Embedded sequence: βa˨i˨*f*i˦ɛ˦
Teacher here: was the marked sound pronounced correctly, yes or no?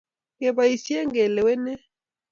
no